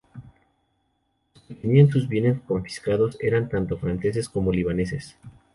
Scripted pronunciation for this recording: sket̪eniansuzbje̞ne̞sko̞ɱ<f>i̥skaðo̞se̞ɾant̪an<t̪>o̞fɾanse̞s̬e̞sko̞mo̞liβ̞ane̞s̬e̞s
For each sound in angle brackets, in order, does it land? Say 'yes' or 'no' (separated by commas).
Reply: yes, yes